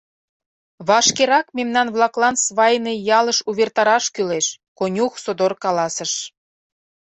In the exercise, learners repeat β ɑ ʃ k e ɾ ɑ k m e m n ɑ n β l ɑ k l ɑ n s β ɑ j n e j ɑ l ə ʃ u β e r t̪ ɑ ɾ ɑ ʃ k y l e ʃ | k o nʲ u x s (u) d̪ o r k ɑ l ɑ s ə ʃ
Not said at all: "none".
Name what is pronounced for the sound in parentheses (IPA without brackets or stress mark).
o